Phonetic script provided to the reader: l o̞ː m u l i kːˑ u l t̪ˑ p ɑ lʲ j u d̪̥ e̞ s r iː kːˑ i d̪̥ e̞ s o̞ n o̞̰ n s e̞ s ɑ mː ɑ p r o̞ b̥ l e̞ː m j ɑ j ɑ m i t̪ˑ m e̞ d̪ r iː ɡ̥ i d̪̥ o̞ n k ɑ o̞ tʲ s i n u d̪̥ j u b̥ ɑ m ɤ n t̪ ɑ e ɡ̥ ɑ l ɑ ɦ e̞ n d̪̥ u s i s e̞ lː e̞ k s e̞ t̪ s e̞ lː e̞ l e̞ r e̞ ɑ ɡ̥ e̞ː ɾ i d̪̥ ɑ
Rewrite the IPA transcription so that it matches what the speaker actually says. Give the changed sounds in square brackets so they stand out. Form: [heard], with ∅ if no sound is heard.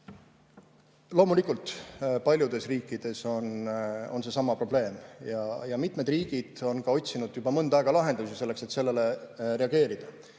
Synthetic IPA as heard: l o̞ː m u l i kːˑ u l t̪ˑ p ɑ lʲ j u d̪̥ e̞ s r iː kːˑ i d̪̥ e̞ s o̞ n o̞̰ n s e̞ s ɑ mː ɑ p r o̞ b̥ l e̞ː m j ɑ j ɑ m i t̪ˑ m e̞ d̪ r iː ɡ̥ i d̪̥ o̞ n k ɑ o̞ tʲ s i n u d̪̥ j u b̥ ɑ m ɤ n [d̪] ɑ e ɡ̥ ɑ l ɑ ɦ e̞ n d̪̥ u s i s e̞ lː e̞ k s e̞ t̪ s e̞ lː e̞ l e̞ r e̞ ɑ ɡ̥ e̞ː ɾ i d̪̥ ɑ